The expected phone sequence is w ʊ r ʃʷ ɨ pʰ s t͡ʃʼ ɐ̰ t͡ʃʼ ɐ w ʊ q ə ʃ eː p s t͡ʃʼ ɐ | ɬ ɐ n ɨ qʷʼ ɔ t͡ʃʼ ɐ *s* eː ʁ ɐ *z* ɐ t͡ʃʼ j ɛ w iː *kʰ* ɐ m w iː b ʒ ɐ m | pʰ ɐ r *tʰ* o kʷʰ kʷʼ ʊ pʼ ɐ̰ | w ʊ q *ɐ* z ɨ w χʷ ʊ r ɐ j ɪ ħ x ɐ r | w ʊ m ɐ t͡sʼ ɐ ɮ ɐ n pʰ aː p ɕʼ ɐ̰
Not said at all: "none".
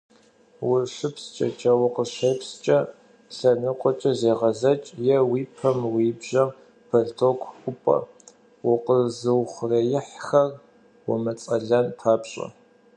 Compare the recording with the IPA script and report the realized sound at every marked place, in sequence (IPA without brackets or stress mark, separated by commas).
z, z, pʰ, tʰ, ə